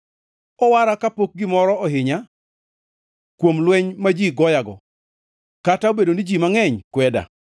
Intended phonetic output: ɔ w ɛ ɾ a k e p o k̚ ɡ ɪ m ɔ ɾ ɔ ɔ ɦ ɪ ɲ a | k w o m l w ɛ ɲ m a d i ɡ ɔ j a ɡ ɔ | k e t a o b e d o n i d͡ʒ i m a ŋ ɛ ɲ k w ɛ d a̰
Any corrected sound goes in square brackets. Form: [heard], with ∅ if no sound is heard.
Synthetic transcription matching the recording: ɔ w [a] ɾ a k [a] p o k̚ ɡ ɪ m ɔ ɾ ɔ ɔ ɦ ɪ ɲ a | k w o m l w ɛ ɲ m a [d͡ʒ] i ɡ ɔ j a ɡ ɔ | k [a] t a o b e d o n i d͡ʒ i m a ŋ ɛ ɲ k w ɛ d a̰